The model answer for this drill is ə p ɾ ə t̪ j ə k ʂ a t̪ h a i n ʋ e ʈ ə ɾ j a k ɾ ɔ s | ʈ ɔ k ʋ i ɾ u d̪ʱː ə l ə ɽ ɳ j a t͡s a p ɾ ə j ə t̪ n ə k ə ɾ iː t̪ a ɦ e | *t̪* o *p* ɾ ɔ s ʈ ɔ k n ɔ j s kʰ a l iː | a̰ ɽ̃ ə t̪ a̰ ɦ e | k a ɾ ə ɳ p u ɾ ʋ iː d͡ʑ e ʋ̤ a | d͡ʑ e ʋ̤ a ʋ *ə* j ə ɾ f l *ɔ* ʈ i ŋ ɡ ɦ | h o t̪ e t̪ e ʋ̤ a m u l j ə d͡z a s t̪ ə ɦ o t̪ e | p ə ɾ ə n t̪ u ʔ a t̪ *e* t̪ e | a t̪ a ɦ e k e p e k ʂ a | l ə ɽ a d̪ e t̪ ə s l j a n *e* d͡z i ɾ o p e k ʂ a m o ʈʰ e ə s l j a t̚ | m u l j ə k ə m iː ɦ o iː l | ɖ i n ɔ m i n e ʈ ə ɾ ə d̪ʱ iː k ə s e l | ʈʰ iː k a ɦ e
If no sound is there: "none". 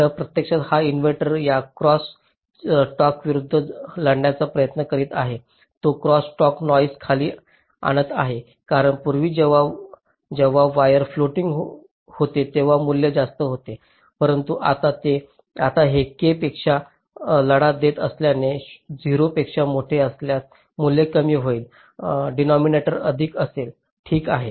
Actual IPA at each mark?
t̪, k, a, o, a, e

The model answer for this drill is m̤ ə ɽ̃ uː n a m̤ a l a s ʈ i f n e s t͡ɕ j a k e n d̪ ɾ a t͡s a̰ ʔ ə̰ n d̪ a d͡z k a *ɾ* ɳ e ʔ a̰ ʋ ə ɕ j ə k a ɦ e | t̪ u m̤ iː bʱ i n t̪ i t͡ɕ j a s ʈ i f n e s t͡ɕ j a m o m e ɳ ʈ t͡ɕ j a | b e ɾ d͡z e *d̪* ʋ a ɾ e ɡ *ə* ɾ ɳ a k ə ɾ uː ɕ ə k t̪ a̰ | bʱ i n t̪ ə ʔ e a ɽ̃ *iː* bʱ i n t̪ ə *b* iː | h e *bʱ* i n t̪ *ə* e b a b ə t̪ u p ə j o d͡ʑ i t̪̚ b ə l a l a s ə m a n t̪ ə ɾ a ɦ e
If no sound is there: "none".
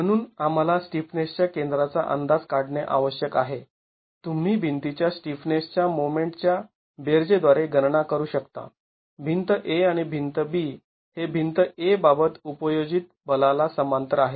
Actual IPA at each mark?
ɽ, d̪, ə, i, b, bʱ, ə

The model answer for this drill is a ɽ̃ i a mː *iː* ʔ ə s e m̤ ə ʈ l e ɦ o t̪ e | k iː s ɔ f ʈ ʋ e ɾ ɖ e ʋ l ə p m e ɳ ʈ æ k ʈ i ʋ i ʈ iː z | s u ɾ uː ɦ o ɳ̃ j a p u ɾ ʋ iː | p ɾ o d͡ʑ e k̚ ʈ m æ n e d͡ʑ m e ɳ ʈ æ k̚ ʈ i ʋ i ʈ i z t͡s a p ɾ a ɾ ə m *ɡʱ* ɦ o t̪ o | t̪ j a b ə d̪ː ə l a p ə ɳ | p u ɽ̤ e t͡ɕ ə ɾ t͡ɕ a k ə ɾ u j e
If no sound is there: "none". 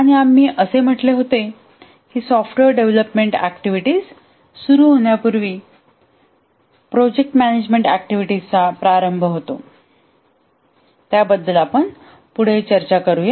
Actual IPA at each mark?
iː, bʱ

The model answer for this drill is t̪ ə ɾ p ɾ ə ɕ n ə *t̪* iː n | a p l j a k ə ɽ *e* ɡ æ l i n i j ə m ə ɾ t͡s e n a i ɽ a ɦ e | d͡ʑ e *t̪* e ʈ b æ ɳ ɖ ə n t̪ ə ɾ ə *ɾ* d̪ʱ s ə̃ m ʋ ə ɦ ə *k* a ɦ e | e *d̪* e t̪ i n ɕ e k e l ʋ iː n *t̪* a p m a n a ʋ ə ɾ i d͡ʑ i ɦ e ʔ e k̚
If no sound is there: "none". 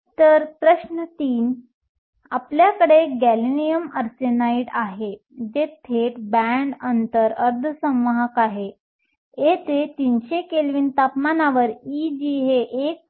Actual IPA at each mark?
t̪, e, t̪ʰ, ɾ, k, t̪, t̪

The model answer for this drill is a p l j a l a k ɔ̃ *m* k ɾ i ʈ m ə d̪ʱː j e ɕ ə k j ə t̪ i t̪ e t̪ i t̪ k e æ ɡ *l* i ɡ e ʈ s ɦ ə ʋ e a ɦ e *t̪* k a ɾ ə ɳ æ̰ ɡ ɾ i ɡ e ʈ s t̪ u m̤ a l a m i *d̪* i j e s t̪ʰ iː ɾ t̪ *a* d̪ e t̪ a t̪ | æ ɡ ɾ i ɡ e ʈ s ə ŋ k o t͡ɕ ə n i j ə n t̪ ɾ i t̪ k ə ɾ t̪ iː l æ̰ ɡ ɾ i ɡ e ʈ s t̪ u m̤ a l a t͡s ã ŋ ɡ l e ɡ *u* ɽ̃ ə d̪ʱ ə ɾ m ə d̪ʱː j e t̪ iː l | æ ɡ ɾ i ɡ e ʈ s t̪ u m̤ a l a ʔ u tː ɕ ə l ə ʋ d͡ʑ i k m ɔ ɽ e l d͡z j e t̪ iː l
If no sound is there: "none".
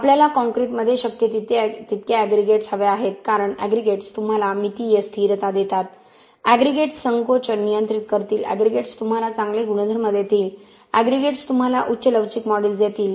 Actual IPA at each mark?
ŋ, ɾ, t̪, t̪, a, u

